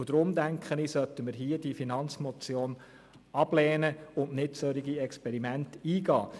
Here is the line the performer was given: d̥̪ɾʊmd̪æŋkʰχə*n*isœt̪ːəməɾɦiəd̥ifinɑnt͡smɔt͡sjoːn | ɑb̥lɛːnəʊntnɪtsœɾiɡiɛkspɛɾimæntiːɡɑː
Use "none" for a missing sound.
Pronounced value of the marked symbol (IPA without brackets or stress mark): n